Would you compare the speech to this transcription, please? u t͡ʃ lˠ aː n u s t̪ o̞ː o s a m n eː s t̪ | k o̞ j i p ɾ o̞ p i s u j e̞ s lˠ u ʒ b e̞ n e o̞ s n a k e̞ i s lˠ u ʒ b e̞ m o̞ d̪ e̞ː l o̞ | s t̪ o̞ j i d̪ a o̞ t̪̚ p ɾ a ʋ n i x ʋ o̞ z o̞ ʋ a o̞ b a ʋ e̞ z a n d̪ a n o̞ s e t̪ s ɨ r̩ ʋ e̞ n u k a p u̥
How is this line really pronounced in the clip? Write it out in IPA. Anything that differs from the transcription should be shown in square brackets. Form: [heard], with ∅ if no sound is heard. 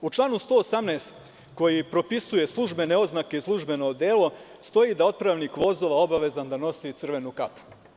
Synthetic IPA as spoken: u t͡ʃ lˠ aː n u s t̪ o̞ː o s a m n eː s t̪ | k o̞ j i p ɾ o̞ p i s u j e̞ s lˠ u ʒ b e̞ n e o̞ [z] n a k e̞ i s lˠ u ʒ b e̞ [n] o̞ d̪ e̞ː l o̞ | s t̪ o̞ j i d̪ a o̞ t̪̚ p ɾ a ʋ n i [k] ʋ o̞ z o̞ ʋ a o̞ b a ʋ e̞ z a n d̪ a n o̞ s [i] t̪ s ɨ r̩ ʋ e̞ n u k a p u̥

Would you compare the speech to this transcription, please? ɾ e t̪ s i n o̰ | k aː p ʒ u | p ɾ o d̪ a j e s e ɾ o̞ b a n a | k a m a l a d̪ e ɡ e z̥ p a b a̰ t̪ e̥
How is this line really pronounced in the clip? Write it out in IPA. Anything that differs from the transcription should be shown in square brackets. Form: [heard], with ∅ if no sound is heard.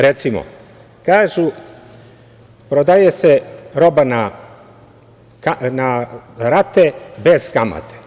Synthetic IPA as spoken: ɾ e t̪ s i [m] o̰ | k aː [∅] ʒ u | p ɾ o d̪ a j e s e ɾ o̞ b a n a | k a [n] a [ɾ] a [t̪] e [b] e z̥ [k] a [m] a̰ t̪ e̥

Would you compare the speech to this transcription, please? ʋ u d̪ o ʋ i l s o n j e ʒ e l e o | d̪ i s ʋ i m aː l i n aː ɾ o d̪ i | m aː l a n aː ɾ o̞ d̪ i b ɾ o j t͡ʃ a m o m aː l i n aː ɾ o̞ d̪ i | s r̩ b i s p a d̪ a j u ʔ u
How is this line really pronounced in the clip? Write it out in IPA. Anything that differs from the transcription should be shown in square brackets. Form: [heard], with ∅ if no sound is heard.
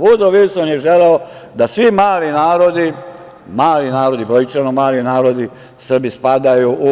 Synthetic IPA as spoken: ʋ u d̪ o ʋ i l s o n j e ʒ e l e o | d̪ [a] s ʋ i m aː l i n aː ɾ o d̪ i | m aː l [i] n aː ɾ o̞ d̪ i b ɾ o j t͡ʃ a [n] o m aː l i n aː ɾ o̞ d̪ i | s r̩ b i s p a d̪ a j u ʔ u

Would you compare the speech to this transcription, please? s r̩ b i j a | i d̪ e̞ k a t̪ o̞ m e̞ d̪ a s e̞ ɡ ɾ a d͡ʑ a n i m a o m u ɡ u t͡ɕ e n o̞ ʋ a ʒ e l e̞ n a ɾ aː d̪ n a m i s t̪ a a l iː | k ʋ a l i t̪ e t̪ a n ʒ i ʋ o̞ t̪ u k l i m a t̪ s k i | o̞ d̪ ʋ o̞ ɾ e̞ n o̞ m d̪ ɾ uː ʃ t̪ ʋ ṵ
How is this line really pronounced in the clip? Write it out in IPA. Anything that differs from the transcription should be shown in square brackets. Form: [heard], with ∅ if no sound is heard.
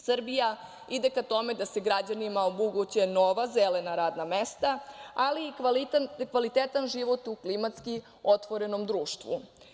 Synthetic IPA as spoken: s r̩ b i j a | i d̪ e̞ k a t̪ o̞ m e̞ d̪ a s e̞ ɡ ɾ a d͡ʑ a n i m a o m u ɡ u t͡ɕ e n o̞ ʋ a [z] e l e̞ n a ɾ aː d̪ n a m [e] s t̪ a a l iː | k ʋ a l i t̪ e t̪ a n ʒ i ʋ o̞ t̪ u k l i m a t̪ s k i | o̞ [t̪] ʋ o̞ ɾ e̞ n o̞ m d̪ ɾ uː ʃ t̪ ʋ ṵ

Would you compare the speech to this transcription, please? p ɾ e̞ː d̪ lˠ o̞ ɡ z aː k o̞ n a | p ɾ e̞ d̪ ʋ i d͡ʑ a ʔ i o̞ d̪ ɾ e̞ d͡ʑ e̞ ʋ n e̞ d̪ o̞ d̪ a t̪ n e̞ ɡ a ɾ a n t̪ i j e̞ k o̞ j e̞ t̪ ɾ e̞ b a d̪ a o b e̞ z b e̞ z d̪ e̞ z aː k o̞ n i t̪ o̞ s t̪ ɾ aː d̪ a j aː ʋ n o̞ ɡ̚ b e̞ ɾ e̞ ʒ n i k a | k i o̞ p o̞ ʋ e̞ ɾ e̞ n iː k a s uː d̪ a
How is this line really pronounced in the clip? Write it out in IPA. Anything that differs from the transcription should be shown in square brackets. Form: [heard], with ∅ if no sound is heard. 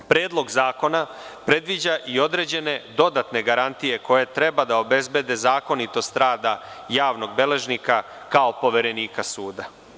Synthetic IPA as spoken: p ɾ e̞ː d̪ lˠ o̞ ɡ z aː k o̞ n a | p ɾ e̞ d̪ ʋ i d͡ʑ a ʔ i o̞ d̪ ɾ e̞ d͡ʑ e̞ [∅] n e̞ d̪ o̞ d̪ a t̪ n e̞ ɡ a ɾ a n t̪ i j e̞ k o̞ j e̞ t̪ ɾ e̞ b a d̪ a o b e̞ z b e̞ [∅] d̪ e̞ z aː k o̞ n i t̪ o̞ s t̪ ɾ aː d̪ a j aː ʋ n o̞ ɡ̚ b e̞ [l] e̞ ʒ n i k a | k [a] o̞ p o̞ ʋ e̞ ɾ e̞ n iː k a s uː d̪ a

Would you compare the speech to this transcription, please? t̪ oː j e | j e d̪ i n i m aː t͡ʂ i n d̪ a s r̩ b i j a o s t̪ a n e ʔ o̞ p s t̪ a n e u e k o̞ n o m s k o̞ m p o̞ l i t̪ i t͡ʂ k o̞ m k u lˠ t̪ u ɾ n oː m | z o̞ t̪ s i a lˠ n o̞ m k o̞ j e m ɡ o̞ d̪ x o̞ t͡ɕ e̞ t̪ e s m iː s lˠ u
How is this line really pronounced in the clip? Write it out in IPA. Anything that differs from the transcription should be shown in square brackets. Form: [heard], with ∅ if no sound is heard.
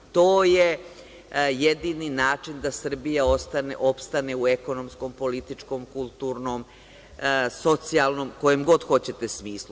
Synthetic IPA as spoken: t̪ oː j e | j e d̪ i n i [n] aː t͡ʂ i n d̪ a s r̩ b i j a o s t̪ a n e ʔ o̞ p s t̪ a n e u e k o̞ n o m s k o̞ m p o̞ l i t̪ i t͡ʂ k o̞ m k u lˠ t̪ u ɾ n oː m | [s] o̞ t̪ s i a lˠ n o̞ m k o̞ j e m ɡ o̞ d̪ x o̞ t͡ɕ e̞ t̪ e s m iː s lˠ u

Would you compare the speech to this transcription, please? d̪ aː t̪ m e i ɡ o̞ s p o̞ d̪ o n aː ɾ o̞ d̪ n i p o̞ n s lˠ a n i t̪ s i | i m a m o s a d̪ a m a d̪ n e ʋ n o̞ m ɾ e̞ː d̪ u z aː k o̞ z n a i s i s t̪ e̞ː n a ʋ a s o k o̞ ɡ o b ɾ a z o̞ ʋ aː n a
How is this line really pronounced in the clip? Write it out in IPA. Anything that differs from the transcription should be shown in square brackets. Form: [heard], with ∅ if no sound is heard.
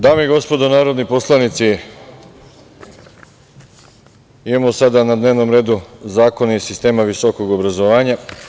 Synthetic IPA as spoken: d̪ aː [∅] m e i ɡ o̞ s p o̞ d̪ o n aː ɾ o̞ d̪ n i p o̞ [∅] s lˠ a n i t̪ s i | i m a m o s a d̪ a [n] a d̪ n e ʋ n o̞ m ɾ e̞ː d̪ u z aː k o̞ [∅] n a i s i s t̪ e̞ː [m] a ʋ [i] s o k o̞ ɡ o b ɾ a z o̞ ʋ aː [ɲ] a

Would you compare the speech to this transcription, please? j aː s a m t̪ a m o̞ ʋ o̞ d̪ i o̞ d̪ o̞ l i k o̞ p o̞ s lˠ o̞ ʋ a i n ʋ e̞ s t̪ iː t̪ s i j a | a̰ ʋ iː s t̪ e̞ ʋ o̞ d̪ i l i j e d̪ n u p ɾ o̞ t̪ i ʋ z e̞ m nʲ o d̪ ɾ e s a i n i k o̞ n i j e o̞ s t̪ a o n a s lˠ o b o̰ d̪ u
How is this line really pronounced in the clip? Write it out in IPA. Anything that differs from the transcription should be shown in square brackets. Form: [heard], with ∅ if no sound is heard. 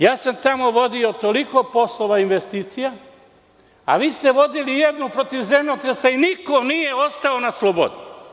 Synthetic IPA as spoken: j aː s a m t̪ a m o̞ ʋ o̞ d̪ i o̞ [t̪] o̞ l i k o̞ p o̞ s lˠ o̞ ʋ a i n ʋ e̞ s t̪ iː t̪ s i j a | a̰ ʋ iː s t̪ e̞ ʋ o̞ d̪ i l i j e d̪ n u p ɾ o̞ t̪ i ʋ z e̞ m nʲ o [t̪] ɾ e s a i n i k o̞ n i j e o̞ s t̪ a o n a s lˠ o b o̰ d̪ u

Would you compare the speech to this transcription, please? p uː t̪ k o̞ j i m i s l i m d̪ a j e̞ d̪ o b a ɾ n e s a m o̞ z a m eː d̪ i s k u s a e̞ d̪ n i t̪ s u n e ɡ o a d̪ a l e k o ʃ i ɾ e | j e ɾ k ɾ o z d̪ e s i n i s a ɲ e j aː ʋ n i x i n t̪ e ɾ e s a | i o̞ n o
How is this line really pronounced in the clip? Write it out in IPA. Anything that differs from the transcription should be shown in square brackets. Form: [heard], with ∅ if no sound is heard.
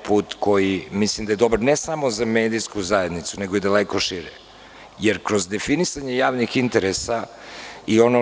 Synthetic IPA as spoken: p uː t̪ k o̞ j i m i s l i m d̪ a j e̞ d̪ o b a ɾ n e s a m o̞ z a m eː d̪ i s k u [z] a e̞ d̪ n i t̪ s u n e ɡ o [i] d̪ a l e k o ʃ i ɾ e | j e ɾ k ɾ o z d̪ e [f] i n i s a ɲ e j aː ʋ n i x i n t̪ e ɾ e s a | i o̞ n o

